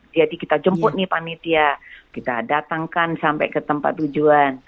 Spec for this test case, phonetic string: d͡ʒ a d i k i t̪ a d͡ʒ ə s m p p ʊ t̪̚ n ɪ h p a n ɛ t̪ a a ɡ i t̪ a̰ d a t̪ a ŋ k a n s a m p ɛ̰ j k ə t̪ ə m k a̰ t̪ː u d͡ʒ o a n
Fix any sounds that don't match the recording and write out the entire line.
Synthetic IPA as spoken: d͡ʒ a d i k i t̪ a d͡ʒ ə m p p ʊ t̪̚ n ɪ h p a n i t̪ i a k i t̪ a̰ d a t̪ a ŋ k a n s a m p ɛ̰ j k ə t̪ ə m p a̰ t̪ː u d͡ʒ u a n